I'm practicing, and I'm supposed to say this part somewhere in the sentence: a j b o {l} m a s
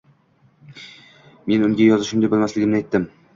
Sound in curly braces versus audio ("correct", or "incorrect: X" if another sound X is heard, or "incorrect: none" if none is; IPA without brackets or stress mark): correct